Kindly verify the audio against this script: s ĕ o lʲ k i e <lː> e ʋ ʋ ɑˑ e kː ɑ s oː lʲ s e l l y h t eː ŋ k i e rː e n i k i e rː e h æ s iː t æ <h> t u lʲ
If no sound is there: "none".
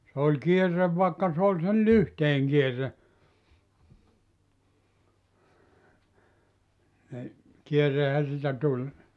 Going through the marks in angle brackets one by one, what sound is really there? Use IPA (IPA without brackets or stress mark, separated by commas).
rː, none